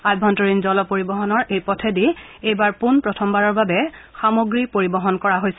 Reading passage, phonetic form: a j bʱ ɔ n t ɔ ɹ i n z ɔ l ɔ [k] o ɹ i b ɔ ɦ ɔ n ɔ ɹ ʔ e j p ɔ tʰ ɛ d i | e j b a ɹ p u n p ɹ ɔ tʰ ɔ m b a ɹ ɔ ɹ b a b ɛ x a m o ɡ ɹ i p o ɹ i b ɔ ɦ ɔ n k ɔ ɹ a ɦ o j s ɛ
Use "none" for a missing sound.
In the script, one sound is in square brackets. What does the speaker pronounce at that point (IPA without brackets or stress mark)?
p